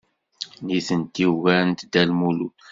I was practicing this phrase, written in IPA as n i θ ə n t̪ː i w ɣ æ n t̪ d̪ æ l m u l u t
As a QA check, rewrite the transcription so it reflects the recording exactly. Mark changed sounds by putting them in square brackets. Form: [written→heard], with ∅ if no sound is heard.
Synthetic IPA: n i θ ə n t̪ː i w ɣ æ n t̪ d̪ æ l m u l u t